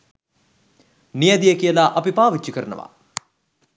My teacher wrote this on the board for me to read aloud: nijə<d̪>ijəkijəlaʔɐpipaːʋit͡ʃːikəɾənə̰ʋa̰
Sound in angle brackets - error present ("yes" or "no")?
no